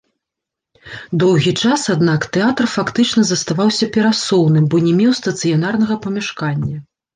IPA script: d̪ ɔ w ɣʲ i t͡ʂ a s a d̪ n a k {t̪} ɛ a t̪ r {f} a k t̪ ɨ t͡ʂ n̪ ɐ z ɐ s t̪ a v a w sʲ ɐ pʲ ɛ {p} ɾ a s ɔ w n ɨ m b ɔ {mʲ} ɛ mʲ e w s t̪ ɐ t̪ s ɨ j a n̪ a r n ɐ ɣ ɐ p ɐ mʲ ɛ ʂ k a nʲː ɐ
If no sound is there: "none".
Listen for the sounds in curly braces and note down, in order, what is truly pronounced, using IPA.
t̪, f, none, nʲ

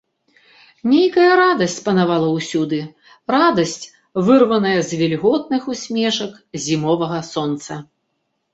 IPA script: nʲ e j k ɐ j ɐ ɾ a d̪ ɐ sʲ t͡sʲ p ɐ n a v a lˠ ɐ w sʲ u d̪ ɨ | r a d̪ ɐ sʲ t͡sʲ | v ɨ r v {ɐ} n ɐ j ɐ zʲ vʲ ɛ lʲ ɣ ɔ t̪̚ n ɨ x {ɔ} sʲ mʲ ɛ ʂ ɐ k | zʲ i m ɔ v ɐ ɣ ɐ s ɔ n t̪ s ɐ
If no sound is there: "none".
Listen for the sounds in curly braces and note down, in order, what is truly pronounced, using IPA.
ɐ, u

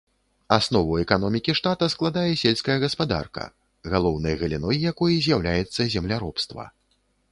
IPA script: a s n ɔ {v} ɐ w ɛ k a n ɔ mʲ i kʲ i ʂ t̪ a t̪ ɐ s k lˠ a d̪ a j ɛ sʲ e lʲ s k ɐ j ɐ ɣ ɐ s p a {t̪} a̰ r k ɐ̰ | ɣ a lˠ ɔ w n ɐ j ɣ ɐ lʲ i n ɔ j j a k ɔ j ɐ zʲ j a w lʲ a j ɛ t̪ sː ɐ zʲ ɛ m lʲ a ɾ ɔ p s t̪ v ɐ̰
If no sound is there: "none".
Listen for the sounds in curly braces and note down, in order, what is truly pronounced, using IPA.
v, d̪

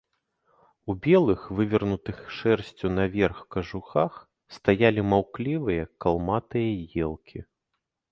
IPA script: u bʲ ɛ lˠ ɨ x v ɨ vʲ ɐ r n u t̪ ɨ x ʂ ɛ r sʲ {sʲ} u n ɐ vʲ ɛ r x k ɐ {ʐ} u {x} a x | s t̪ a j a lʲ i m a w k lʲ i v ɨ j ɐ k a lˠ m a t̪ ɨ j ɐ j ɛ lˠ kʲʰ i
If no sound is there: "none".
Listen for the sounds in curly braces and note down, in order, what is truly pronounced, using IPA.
t͡sʲ, ʐ, x

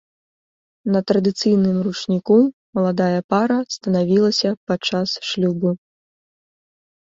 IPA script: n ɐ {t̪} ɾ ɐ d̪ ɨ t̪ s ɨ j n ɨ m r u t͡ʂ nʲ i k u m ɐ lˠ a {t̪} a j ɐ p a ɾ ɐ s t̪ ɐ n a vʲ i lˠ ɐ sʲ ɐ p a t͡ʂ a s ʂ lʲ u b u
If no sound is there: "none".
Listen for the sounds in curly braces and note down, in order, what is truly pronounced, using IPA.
t̪, d̪

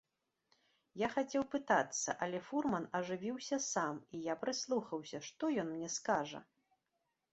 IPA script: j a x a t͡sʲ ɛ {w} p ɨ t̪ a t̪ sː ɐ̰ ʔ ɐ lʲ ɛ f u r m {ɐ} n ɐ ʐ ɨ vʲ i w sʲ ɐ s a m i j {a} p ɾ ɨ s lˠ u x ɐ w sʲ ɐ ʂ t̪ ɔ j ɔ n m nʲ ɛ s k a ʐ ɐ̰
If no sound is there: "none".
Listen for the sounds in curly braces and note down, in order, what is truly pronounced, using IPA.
w, ɐ, a

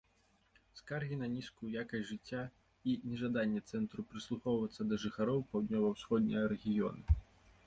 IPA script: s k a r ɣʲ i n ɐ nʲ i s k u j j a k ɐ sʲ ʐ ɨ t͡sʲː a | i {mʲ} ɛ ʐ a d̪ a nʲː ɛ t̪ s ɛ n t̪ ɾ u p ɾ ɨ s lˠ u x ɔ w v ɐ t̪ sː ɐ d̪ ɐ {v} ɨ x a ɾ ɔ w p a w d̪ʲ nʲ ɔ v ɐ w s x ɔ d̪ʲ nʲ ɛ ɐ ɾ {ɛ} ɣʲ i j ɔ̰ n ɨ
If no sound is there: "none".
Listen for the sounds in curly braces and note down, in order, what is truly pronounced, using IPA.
nʲ, ʐ, ɛ

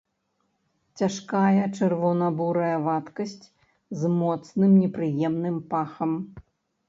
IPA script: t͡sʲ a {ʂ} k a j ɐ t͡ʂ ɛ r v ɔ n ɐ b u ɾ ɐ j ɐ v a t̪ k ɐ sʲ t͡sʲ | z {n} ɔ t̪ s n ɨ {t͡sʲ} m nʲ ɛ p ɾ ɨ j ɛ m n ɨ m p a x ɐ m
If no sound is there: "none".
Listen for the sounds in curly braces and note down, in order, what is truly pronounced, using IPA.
ʂ, m, none

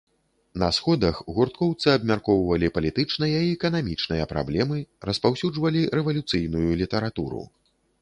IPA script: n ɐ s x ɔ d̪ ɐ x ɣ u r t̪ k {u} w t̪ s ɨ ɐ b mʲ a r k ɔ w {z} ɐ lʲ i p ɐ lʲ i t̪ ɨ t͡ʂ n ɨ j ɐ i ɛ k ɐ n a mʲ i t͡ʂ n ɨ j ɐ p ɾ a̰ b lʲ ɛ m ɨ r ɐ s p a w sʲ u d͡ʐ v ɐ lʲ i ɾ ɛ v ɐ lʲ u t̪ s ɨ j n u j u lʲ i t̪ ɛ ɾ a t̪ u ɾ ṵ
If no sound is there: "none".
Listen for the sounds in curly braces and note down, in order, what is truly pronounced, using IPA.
ɔ, v

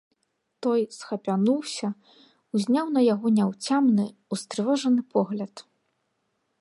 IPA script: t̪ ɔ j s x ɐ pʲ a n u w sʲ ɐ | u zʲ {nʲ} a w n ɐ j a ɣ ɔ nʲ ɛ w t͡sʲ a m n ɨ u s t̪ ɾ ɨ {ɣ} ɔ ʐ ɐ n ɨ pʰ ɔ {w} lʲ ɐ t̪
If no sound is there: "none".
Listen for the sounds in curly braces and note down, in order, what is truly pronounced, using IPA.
nʲ, v, ɣ

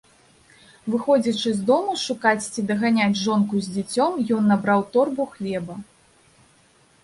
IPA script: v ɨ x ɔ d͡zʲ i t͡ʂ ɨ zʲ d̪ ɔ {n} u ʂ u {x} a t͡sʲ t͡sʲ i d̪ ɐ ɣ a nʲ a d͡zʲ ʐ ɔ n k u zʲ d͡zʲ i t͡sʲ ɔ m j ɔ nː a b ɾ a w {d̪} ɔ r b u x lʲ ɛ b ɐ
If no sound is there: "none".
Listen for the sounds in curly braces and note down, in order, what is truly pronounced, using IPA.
m, k, t̪

